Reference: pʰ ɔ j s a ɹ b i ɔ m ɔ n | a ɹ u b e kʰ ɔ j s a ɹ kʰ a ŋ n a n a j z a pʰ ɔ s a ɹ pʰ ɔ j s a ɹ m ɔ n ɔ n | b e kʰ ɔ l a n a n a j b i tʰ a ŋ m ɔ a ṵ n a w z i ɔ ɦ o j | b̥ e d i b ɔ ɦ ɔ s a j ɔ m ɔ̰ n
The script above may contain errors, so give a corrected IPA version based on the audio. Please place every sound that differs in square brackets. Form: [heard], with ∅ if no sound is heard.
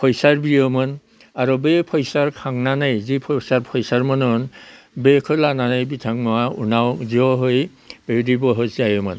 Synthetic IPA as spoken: pʰ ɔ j s a ɹ b i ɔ m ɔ n | a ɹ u b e [pʰ] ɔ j s a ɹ kʰ a ŋ n a n a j z [i] pʰ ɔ s a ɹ pʰ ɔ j s a ɹ m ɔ n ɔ n | b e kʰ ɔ l a n a n a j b i tʰ a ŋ m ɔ a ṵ n a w z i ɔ ɦ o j | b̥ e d i b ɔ ɦ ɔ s a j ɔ m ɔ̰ n